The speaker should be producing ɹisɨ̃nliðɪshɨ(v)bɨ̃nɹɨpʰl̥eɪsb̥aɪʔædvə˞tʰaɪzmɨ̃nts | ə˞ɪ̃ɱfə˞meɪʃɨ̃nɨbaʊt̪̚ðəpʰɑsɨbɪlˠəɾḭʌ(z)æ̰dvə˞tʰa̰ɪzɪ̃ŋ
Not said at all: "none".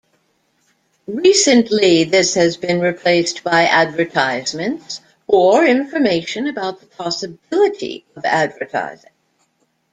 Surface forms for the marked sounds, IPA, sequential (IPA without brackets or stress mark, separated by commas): z, v